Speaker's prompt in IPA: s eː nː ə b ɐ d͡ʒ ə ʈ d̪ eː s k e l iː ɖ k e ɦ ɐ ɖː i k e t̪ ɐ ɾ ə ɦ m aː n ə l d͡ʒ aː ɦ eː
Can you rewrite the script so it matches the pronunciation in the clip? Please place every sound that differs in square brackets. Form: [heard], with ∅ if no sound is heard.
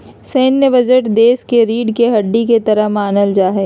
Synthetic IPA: s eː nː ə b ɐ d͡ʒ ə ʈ d̪ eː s k e [ɾ] iː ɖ k e ɦ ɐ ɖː i k e t̪ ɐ ɾ ə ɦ m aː n ə l d͡ʒ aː ɦ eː